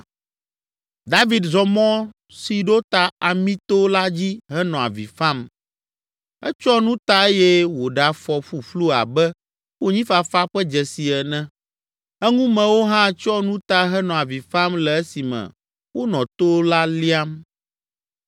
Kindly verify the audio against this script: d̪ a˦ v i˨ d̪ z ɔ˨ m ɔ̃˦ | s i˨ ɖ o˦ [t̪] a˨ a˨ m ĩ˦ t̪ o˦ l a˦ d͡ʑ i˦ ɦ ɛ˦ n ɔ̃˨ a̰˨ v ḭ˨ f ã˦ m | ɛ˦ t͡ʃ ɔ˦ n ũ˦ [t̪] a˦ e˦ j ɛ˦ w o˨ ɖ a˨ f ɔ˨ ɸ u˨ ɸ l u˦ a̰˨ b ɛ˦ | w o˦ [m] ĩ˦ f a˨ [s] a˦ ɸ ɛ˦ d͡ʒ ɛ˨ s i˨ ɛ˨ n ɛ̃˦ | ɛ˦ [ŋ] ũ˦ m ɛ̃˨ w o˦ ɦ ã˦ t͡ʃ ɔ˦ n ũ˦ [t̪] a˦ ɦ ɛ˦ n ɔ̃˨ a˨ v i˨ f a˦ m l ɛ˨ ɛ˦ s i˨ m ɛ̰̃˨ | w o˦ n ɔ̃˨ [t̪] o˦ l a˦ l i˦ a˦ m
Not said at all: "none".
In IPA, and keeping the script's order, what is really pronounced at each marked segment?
t̪, t̪, ɲ, f, ŋ, t̪, t̪

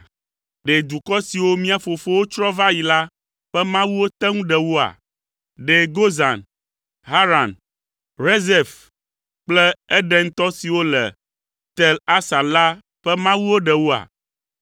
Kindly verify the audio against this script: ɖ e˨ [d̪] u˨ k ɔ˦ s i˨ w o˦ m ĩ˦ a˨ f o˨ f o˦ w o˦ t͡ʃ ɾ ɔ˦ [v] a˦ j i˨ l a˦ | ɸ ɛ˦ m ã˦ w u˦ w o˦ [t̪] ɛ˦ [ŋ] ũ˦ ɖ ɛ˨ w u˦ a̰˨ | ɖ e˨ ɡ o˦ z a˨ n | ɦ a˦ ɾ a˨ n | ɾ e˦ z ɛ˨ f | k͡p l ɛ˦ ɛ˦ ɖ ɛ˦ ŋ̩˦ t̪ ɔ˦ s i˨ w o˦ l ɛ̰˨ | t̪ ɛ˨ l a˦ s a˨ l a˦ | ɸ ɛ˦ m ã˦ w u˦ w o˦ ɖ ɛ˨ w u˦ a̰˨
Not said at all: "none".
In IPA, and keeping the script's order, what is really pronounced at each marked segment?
d̪, v, t̪, ŋ

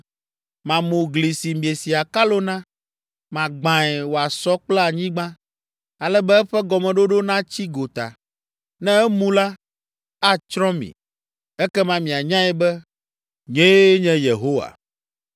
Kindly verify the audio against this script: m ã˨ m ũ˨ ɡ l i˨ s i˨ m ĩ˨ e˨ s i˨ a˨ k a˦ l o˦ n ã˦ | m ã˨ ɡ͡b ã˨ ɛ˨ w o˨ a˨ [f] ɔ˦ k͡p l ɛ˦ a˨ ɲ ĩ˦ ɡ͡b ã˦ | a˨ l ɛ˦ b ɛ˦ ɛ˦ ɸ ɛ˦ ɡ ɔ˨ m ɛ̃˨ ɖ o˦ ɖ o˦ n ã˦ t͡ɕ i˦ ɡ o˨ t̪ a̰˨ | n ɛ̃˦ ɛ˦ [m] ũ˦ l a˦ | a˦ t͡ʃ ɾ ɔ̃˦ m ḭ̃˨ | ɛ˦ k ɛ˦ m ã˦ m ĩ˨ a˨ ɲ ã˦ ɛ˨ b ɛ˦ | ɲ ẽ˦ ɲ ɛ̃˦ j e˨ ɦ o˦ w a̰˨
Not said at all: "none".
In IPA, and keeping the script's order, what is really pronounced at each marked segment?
s, m

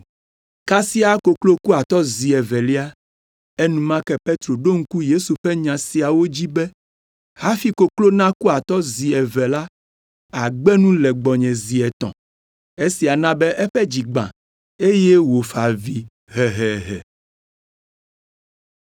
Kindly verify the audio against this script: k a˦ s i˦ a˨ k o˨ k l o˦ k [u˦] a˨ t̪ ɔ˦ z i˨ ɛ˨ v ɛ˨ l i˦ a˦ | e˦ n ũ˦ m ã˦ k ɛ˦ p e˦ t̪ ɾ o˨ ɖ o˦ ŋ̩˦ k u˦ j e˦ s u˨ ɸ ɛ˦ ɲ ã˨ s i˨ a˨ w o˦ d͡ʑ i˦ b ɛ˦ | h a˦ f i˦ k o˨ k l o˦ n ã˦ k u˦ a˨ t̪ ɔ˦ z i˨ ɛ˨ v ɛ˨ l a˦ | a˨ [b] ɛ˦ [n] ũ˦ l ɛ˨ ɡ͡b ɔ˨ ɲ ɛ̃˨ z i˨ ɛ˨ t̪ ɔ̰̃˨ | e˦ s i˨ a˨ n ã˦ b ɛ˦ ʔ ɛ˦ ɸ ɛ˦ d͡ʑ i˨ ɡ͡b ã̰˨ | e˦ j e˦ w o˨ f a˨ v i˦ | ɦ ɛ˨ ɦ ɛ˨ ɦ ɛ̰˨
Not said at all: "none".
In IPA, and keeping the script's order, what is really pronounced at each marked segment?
u˦, ɡ͡b, n

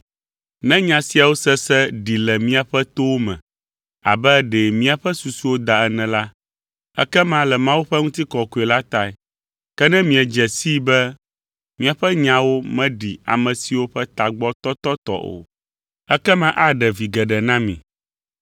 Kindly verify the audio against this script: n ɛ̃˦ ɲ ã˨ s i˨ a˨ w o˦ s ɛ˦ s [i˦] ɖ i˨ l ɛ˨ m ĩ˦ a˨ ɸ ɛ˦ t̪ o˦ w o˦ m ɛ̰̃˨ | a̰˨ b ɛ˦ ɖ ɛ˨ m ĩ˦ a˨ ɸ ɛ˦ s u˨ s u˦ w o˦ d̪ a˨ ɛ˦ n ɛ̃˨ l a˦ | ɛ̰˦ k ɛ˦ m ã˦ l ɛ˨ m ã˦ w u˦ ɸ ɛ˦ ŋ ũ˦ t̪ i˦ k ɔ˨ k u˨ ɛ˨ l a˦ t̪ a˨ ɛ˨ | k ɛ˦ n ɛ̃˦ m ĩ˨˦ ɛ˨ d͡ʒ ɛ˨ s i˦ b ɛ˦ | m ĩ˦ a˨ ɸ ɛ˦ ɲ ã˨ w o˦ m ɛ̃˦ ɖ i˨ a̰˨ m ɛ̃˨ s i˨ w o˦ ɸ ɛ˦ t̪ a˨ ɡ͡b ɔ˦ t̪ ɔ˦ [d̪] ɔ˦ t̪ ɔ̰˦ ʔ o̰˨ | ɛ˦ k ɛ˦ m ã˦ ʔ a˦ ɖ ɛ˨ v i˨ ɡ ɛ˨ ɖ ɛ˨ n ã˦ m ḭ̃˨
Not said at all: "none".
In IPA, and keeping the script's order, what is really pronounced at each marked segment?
ɛ˦, t̪

